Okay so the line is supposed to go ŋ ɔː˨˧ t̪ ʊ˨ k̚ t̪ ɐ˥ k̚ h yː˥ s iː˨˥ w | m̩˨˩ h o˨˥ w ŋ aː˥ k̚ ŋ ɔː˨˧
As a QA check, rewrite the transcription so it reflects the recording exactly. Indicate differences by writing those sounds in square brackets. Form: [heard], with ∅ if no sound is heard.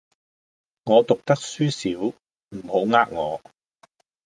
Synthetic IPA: ŋ ɔː˨˧ t̪ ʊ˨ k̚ t̪ ɐ˥ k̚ [s] yː˥ s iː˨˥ w | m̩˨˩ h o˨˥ w ŋ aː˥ k̚ ŋ ɔː˨˧

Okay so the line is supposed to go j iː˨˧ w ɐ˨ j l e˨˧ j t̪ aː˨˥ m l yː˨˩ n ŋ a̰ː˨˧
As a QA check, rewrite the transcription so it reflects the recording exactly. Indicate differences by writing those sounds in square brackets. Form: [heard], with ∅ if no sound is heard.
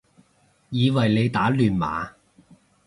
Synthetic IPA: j iː˨˧ w ɐ˨ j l e˨˧ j t̪ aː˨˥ [∅] l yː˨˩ n [m] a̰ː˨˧

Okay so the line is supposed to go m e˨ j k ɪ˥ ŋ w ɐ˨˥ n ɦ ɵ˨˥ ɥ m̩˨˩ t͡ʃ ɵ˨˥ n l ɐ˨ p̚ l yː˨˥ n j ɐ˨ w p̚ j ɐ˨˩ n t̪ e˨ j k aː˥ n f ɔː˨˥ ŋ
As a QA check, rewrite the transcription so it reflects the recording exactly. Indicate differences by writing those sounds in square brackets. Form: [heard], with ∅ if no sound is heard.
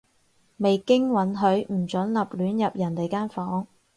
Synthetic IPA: m e˨ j k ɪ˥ ŋ w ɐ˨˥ n ɦ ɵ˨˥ ɥ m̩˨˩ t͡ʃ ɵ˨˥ n l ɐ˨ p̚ l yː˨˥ n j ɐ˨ [∅] p̚ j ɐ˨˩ n t̪ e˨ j k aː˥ n f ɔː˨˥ ŋ

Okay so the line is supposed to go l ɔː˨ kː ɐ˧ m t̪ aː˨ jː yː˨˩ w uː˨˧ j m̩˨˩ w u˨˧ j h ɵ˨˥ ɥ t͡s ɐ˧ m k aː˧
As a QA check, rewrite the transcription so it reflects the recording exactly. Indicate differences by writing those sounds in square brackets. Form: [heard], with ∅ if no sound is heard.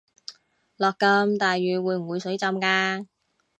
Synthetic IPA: l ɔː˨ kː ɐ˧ m t̪ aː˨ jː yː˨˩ w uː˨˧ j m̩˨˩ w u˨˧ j [s] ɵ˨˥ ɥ t͡s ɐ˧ m k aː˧

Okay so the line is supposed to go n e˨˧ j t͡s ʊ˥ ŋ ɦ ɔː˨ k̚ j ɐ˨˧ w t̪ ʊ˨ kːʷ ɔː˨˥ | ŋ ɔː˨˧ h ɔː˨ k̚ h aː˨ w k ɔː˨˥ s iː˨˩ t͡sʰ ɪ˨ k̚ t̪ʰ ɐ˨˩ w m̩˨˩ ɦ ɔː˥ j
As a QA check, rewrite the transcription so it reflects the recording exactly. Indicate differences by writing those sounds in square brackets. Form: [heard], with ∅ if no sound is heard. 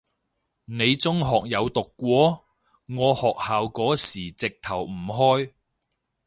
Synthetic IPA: n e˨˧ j t͡s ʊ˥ ŋ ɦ ɔː˨ k̚ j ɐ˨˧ w t̪ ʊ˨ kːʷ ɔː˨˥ | ŋ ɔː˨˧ h ɔː˨ k̚ h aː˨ w k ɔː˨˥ s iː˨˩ [t͡s] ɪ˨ k̚ t̪ʰ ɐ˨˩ w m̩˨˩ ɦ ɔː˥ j

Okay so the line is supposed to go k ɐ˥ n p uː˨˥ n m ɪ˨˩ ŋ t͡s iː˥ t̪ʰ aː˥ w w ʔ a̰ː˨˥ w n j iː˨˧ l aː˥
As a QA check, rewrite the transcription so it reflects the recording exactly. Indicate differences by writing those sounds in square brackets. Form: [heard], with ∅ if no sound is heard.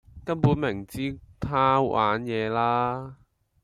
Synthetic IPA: k ɐ˥ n p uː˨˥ n m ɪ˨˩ ŋ t͡s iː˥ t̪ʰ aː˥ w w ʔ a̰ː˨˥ [∅] n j [ɛː˨˧] l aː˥

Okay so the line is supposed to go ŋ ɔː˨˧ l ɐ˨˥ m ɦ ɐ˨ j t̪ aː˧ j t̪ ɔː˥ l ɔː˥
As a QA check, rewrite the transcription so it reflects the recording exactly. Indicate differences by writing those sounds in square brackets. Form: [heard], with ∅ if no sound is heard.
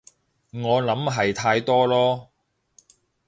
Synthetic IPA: ŋ ɔː˨˧ l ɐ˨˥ m ɦ ɐ˨ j [t̪ʰ] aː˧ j t̪ ɔː˥ l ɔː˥

